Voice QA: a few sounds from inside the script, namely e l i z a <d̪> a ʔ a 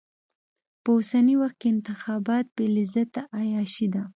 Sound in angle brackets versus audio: incorrect: t̪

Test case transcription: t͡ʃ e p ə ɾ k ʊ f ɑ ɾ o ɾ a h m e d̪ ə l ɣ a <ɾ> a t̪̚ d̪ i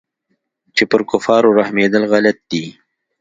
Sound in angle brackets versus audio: incorrect: l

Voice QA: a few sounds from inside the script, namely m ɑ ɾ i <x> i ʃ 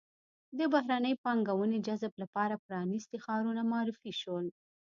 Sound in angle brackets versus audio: incorrect: f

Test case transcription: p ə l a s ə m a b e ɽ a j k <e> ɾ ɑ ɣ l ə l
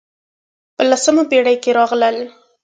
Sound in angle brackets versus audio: correct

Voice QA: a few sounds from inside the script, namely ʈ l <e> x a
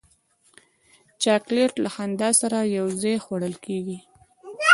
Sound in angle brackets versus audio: incorrect: a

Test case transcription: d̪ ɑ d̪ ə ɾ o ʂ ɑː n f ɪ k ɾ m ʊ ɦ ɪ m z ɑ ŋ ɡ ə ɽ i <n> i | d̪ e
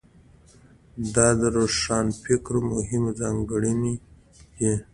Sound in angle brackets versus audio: correct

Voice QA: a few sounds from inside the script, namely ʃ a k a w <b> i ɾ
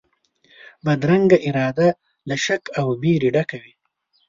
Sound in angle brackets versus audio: correct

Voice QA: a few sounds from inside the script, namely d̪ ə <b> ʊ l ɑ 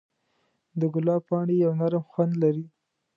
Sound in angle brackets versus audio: incorrect: ɡ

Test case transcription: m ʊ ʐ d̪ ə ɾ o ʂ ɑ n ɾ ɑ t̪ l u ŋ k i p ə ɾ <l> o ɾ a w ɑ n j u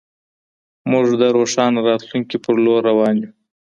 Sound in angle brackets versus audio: correct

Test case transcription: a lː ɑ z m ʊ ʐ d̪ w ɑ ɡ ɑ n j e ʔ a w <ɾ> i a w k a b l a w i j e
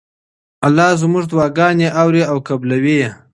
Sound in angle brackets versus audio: correct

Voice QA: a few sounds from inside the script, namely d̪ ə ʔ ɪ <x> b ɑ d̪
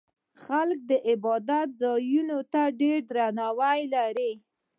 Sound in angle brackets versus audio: incorrect: none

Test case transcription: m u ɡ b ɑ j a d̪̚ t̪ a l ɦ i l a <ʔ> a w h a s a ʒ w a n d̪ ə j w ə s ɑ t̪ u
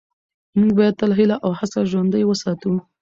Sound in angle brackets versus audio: correct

